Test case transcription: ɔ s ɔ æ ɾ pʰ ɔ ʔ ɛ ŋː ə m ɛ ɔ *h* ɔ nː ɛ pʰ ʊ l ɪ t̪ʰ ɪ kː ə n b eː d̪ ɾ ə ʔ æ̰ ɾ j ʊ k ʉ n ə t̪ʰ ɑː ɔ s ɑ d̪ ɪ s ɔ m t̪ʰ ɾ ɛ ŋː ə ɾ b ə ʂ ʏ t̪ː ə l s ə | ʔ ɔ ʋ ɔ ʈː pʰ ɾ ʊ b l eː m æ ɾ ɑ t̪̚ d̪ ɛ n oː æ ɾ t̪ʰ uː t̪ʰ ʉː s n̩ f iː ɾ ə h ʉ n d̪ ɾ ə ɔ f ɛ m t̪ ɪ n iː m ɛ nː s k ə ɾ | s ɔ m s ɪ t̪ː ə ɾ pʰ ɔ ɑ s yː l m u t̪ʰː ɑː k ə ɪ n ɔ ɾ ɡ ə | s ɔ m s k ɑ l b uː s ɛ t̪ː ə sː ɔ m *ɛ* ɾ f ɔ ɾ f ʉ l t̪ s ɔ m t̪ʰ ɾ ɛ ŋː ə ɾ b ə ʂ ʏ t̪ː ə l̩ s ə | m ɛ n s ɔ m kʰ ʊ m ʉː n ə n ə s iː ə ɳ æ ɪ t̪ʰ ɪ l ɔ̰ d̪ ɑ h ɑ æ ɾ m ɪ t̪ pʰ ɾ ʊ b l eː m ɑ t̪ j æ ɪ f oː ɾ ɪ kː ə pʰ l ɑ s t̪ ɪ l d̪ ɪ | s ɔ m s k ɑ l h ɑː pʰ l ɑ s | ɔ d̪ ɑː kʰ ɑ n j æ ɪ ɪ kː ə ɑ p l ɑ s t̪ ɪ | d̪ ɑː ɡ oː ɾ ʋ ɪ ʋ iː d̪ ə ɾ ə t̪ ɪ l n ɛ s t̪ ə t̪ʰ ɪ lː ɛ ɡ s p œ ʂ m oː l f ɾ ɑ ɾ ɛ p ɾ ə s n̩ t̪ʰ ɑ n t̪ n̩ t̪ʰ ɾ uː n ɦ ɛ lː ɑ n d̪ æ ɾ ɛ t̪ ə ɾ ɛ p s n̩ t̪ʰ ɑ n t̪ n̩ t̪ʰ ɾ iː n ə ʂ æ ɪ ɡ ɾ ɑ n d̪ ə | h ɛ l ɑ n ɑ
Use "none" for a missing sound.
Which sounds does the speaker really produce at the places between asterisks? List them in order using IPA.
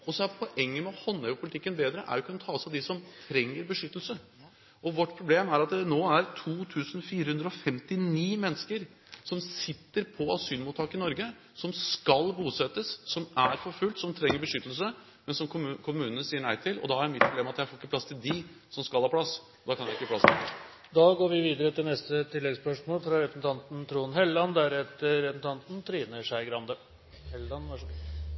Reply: h, æ

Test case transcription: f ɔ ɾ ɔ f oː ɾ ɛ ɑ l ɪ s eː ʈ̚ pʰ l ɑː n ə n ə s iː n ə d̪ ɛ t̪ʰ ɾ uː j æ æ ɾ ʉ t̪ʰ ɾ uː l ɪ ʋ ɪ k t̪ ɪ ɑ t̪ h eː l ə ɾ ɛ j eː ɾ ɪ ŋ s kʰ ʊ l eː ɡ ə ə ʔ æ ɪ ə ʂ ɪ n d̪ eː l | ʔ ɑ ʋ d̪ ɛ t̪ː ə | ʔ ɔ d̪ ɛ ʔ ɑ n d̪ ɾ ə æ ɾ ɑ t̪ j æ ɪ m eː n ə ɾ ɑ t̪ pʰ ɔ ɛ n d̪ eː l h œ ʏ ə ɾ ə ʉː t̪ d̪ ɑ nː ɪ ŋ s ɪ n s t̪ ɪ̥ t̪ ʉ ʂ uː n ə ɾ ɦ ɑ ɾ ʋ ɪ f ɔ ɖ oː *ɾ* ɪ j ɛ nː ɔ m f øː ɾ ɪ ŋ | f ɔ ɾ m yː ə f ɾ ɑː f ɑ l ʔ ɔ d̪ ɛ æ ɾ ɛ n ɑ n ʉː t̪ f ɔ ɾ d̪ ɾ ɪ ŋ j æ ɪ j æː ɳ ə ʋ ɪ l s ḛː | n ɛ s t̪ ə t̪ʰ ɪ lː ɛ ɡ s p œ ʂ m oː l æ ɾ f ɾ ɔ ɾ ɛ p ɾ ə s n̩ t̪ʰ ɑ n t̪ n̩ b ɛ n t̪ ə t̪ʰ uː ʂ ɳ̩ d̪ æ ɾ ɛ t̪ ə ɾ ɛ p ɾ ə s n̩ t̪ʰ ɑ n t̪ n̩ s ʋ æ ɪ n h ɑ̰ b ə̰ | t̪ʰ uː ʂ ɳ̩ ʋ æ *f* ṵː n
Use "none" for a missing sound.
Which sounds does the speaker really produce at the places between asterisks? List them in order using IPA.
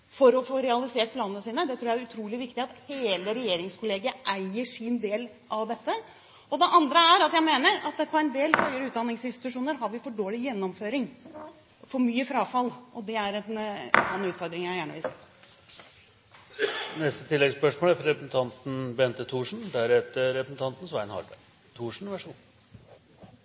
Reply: l, ʂ

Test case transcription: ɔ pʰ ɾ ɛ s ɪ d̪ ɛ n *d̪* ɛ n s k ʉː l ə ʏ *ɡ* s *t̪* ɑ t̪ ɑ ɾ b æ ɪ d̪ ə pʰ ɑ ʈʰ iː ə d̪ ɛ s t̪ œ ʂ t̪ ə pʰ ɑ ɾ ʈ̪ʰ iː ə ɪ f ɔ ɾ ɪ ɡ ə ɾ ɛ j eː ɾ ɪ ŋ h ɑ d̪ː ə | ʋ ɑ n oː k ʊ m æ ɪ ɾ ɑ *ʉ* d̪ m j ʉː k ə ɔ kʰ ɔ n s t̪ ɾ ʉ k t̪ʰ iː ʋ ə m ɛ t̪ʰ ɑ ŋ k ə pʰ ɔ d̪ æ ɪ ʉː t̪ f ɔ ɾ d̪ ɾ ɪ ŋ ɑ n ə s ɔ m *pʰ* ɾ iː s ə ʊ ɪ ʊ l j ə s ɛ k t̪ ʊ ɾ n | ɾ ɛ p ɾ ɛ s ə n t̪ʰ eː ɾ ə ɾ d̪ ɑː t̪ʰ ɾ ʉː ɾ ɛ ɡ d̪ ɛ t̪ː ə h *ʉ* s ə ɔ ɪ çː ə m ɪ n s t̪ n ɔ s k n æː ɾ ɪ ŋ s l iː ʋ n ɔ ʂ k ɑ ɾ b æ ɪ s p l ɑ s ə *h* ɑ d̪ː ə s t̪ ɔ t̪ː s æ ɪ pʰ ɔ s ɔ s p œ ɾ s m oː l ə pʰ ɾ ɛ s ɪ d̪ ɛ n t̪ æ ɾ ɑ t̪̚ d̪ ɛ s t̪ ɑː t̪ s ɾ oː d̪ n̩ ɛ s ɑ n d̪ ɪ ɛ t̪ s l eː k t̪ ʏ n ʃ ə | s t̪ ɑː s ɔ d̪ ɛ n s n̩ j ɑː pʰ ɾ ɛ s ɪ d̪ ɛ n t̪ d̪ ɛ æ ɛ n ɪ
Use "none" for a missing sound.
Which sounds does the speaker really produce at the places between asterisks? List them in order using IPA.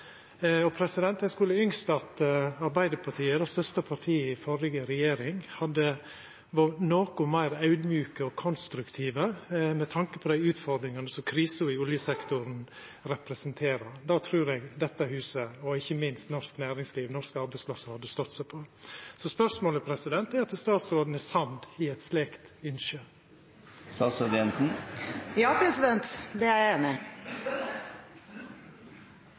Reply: t̪, ŋ, t̪, ʉ, kʰ, ʉː, h

